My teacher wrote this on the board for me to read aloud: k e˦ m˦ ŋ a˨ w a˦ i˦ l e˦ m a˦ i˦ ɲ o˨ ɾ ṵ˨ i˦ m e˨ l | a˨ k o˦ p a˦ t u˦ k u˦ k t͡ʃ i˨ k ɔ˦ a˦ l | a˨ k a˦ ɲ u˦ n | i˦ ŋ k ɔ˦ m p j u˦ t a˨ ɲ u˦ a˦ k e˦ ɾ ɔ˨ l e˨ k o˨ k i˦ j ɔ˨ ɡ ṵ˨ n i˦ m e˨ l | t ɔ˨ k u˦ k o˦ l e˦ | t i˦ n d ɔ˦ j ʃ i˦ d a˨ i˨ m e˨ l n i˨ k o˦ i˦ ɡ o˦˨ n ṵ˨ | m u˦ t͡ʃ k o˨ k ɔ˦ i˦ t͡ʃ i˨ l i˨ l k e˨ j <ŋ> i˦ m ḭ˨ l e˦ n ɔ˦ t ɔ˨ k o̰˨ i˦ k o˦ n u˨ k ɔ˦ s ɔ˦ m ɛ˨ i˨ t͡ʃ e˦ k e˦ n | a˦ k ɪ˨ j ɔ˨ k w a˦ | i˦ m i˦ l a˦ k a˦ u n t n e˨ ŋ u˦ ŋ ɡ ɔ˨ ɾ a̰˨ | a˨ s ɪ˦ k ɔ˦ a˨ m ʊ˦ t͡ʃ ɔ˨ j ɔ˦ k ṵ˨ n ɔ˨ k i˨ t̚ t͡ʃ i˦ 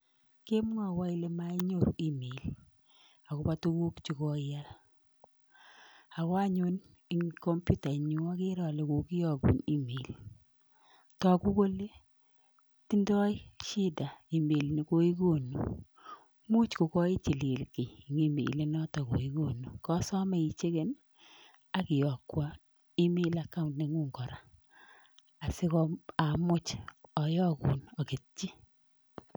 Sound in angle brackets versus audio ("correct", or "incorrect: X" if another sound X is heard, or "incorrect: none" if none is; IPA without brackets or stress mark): correct